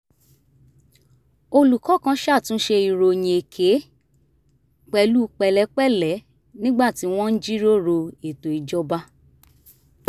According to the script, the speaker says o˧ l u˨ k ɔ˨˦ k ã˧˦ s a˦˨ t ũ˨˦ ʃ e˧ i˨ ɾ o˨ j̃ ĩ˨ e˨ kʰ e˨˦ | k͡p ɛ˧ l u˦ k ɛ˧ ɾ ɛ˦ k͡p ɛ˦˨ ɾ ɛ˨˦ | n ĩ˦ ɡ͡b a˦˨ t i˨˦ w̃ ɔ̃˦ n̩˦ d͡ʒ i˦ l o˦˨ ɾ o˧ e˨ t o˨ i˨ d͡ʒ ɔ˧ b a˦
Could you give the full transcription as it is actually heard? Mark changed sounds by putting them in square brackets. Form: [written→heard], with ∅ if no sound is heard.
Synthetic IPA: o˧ l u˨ k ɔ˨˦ k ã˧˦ [s→ʃ] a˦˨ t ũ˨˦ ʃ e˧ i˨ ɾ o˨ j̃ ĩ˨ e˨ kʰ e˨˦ | k͡p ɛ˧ l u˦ [k→k͡p] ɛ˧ [ɾ→l] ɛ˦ k͡p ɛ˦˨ [ɾ→l] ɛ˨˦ | n ĩ˦ ɡ͡b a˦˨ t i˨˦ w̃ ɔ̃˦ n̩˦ d͡ʒ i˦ [l→ɾ] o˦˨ ɾ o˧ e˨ t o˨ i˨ d͡ʒ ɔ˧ b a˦